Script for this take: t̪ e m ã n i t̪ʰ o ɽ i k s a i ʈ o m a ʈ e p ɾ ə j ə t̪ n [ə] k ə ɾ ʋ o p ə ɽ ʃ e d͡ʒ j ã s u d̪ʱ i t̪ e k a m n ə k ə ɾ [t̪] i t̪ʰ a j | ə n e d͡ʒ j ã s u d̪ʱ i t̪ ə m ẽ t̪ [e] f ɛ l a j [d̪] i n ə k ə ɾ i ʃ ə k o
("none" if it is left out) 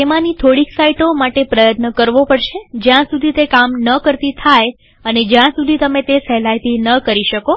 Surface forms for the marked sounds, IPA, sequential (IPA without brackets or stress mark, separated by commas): ə, t̪, e, t̪